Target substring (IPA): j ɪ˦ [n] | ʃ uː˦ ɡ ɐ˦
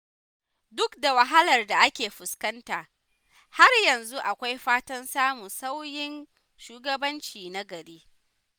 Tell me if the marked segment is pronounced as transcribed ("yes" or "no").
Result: yes